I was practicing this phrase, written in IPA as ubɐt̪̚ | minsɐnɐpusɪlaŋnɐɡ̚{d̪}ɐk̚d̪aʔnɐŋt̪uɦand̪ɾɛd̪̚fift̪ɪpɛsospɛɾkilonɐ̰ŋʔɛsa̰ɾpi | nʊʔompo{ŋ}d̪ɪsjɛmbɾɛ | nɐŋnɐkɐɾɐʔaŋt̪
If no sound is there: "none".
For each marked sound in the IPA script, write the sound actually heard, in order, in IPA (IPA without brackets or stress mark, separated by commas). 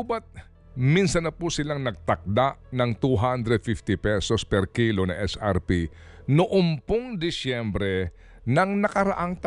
t̪, ŋ